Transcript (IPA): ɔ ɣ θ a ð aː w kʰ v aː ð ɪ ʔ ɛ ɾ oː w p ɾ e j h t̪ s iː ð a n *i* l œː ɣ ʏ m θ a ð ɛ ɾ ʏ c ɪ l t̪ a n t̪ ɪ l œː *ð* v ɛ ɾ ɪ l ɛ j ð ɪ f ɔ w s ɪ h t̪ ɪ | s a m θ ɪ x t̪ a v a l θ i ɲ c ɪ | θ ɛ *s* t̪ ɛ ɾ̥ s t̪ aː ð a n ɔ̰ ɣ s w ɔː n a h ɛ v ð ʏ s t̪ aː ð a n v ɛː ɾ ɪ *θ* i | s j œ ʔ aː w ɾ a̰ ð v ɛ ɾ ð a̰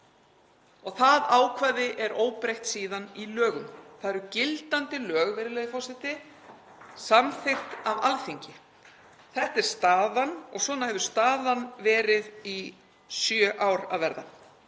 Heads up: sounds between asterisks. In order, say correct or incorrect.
correct, incorrect: ɣ, incorrect: h, incorrect: ð

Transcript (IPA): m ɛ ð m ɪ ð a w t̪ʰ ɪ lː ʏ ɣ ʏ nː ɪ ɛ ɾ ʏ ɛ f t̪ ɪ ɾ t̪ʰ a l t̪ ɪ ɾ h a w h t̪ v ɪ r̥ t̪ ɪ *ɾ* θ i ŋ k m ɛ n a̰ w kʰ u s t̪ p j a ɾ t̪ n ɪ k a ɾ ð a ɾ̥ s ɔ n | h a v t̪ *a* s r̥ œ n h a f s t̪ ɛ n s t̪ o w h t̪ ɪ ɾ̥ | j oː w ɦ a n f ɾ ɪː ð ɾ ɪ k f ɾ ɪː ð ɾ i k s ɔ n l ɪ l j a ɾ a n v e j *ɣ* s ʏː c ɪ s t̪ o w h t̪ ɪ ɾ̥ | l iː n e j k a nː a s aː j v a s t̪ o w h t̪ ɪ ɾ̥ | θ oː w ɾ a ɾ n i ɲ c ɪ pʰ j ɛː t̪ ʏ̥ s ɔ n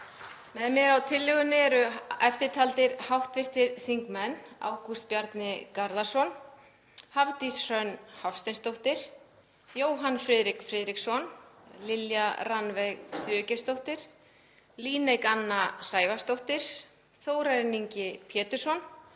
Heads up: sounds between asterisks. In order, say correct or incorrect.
correct, incorrect: i, correct

